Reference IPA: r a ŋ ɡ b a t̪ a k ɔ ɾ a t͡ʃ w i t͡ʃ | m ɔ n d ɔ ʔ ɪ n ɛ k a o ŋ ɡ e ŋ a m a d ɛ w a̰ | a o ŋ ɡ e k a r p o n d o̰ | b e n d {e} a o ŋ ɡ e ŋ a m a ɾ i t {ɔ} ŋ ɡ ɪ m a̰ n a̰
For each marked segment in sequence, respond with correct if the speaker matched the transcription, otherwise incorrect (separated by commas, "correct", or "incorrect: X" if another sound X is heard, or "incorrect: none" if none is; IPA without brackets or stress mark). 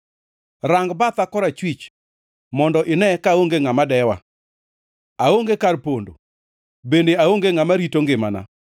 correct, incorrect: o